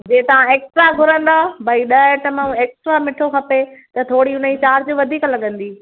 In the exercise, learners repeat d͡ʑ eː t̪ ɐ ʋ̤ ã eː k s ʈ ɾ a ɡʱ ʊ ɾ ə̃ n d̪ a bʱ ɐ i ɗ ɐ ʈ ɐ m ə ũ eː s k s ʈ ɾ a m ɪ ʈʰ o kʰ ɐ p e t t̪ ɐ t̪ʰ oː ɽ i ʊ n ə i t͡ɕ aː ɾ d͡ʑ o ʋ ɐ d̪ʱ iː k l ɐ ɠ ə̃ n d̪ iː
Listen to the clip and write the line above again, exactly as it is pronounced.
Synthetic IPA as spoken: d͡ʑ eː t̪ ɐ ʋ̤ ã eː k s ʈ ɾ a ɡʱ ʊ ɾ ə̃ n d̪ a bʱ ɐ i ɗ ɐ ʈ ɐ m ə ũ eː k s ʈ ɾ a m ɪ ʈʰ o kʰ ɐ p e t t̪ ɐ t̪ʰ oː ɽ i ʊ n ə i t͡ɕ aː ɾ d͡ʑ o ʋ ɐ d̪ʱ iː k l ɐ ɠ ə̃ n d̪ iː